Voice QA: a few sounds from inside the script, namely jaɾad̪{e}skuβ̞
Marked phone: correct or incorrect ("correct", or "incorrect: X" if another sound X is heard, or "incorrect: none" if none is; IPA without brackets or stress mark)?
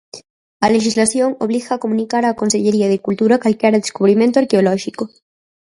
correct